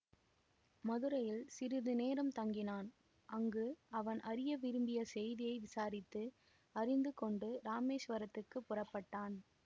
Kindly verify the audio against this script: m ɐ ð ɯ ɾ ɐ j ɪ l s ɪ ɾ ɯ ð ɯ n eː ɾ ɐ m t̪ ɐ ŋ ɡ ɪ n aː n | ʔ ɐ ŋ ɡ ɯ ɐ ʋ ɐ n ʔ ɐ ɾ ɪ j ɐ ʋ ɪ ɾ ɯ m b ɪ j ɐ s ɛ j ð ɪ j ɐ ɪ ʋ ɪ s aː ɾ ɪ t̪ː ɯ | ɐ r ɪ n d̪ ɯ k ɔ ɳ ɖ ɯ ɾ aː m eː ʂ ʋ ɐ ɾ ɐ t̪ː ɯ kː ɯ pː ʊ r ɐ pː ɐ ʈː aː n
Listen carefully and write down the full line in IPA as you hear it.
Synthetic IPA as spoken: m ɐ ð ɯ ɾ ɐ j ɪ l s ɪ ɾ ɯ ð ɯ n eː ɾ ɐ m t̪ ɐ ŋ ɡ ɪ n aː n | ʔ ɐ ŋ ɡ ɯ ɐ ʋ ɐ n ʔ ɐ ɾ ɪ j ɐ ʋ ɪ ɾ ɯ m b ɪ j ɐ s ɛ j ð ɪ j ɐ ɪ ʋ ɪ s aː ɾ ɪ t̪ː ɯ | ɐ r ɪ n d̪ ɯ k ɔ ɳ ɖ ɯ ɾ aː m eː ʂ ʋ ɐ ɾ ɐ t̪ː ɯ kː ɯ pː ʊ r ɐ pː ɐ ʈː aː n